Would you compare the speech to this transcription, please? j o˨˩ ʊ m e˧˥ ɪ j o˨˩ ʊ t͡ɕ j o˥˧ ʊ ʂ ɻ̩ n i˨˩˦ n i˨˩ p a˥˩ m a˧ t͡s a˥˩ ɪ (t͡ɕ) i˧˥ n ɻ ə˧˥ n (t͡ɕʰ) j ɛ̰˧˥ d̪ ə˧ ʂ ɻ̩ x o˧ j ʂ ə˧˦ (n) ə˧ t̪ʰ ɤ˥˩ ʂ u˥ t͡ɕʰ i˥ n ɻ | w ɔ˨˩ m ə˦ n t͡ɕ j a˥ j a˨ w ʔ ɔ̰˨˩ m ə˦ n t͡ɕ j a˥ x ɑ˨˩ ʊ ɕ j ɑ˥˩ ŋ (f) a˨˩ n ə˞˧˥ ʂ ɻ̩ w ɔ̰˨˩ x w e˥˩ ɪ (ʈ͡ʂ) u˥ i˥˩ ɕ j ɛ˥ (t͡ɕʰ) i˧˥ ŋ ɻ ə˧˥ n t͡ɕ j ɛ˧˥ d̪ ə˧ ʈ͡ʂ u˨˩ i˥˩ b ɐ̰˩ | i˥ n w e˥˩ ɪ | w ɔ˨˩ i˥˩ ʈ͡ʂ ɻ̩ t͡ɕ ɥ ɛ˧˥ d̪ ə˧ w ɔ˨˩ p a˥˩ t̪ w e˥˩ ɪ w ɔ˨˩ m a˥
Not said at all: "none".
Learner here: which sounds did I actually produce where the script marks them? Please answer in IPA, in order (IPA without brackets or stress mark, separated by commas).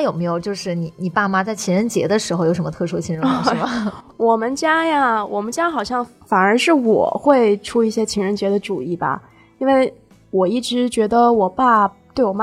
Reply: t͡ɕʰ, t͡ɕ, m, f, ʈ͡ʂʰ, t͡ɕʰ